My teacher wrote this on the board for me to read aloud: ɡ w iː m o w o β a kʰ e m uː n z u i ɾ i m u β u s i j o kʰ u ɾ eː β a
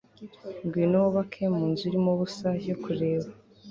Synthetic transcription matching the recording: ɡ w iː n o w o β a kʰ e m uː n z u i ɾ i m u β u s a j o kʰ u ɾ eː β a